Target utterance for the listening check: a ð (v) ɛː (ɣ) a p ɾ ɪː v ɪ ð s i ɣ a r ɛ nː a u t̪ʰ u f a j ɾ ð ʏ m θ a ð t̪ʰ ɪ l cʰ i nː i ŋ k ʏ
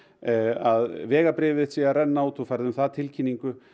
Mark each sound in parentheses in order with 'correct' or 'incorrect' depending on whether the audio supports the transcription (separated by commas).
correct, correct